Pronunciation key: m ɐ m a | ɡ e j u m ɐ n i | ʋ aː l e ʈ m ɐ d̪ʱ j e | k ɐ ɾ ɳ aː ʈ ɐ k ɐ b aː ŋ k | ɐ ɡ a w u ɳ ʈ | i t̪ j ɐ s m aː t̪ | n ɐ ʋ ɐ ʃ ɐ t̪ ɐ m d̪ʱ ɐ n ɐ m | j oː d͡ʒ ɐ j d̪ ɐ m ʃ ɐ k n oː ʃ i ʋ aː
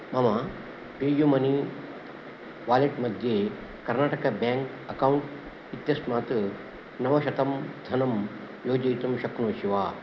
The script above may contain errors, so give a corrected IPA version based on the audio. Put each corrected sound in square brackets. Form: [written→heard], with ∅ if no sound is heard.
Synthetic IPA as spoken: m ɐ m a | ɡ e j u m ɐ n i | ʋ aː l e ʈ m ɐ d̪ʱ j e | k ɐ ɾ [ɳ→n] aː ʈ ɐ k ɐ b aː ŋ k | ɐ [ɡ→k] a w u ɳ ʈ | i t̪ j ɐ s m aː t̪ | n ɐ ʋ ɐ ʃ ɐ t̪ ɐ m d̪ʱ ɐ n ɐ m | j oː d͡ʒ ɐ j [d̪→t̪] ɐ m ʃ ɐ k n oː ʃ i ʋ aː